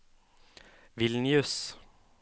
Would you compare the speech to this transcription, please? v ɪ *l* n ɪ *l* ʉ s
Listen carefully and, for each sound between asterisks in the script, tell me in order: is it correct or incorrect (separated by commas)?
correct, incorrect